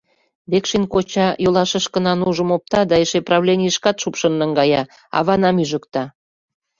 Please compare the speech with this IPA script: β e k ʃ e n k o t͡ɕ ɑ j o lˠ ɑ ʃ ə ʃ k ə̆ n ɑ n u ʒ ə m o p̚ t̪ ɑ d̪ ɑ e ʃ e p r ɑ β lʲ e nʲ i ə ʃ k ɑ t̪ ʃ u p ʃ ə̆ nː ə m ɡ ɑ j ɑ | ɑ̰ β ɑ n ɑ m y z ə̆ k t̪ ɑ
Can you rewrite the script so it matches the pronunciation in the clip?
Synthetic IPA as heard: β e k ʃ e n k o t͡ɕ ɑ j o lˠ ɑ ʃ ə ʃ k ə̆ n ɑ n u ʒ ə m o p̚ t̪ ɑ d̪ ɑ e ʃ e p r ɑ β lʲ e nʲ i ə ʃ k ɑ t̪ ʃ u p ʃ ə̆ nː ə ŋ ɡ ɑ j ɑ | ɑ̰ β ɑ n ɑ m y ʒ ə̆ k t̪ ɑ